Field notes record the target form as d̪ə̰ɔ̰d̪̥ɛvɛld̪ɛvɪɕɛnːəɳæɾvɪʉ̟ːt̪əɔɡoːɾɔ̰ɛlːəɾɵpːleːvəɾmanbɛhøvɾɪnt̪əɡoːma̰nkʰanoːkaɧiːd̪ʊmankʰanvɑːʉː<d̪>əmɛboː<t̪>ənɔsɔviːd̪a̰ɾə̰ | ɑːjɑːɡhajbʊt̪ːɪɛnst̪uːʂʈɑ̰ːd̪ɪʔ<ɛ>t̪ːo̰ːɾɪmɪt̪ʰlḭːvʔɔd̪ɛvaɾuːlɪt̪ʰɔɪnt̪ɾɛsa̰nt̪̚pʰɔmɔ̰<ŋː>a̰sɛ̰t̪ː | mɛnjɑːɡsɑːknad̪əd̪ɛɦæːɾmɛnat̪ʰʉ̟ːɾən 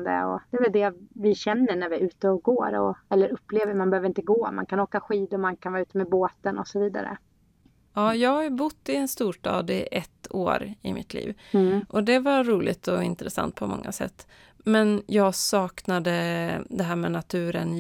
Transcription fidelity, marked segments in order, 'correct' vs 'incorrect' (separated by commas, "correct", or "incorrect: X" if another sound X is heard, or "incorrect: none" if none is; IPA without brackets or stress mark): incorrect: t̪, correct, correct, correct